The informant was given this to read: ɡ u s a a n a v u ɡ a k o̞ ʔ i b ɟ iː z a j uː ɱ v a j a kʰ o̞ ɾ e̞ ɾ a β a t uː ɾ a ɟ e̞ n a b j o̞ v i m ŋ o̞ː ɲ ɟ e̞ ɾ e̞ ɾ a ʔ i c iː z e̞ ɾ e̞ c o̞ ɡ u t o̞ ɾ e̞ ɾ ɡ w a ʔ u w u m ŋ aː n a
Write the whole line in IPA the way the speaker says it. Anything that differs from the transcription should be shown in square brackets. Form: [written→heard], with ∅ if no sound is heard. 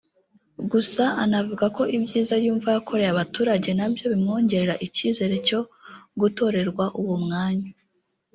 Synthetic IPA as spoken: ɡ u s a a n a v u ɡ a k o̞ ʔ i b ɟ iː z a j uː ɱ v a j a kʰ o̞ ɾ e̞ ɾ a β a t uː ɾ a ɟ e̞ n a b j o̞ [v→β] i m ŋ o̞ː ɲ ɟ e̞ ɾ e̞ ɾ a ʔ i c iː z e̞ ɾ e̞ c o̞ ɡ u t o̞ ɾ e̞ ɾ ɡ w a ʔ u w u m ŋ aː [n→ɲ] a